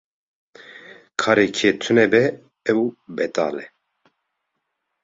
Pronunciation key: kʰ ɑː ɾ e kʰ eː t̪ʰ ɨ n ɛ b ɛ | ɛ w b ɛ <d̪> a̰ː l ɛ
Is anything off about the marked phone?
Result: yes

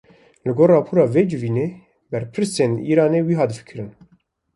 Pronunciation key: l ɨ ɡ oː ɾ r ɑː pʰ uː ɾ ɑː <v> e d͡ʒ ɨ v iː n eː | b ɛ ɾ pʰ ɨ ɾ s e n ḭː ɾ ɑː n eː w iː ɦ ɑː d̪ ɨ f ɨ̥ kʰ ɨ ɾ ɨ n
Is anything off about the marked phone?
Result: no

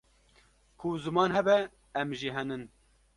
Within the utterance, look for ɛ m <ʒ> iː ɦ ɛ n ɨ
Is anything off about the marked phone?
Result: no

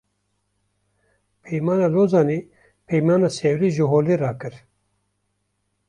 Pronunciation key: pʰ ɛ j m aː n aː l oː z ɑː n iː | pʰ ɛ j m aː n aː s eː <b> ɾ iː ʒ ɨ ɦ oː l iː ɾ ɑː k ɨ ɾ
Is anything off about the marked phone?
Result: yes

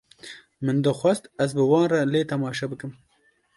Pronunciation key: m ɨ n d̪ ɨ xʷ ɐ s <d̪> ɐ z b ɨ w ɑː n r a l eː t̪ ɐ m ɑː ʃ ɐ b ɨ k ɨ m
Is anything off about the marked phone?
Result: yes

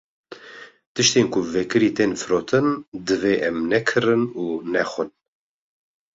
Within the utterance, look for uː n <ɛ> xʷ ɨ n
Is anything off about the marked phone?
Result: no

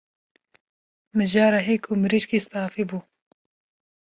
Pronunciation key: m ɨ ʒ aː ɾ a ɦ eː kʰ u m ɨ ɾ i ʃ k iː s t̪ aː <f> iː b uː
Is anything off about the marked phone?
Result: no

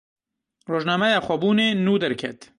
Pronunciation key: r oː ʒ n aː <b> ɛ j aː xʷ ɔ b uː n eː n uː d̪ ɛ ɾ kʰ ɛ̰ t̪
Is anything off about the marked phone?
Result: yes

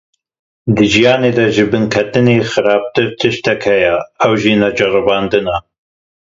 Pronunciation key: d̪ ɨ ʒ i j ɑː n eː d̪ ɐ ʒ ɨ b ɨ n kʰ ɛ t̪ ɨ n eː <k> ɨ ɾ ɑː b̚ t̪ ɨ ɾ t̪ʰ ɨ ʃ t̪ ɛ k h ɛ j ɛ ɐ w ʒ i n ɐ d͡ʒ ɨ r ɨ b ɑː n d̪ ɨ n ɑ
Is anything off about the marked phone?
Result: yes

